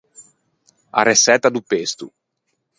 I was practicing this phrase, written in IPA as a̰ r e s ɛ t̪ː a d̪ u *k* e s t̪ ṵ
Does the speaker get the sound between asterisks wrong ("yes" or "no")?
yes